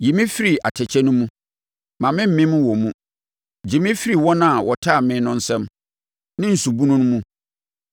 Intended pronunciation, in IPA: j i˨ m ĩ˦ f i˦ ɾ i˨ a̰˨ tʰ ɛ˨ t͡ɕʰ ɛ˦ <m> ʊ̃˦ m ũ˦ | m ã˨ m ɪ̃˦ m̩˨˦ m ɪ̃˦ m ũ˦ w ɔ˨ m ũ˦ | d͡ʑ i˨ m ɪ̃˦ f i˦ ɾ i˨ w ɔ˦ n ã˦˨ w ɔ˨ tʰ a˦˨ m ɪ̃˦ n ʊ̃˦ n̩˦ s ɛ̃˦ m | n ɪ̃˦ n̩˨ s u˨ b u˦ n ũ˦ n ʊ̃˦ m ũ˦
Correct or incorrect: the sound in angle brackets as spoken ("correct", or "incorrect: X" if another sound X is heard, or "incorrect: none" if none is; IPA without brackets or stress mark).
incorrect: n